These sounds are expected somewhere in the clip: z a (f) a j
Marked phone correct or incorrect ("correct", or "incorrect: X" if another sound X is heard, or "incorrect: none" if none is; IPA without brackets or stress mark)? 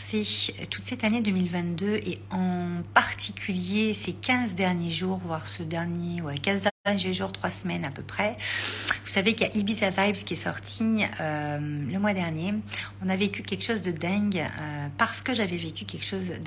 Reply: incorrect: v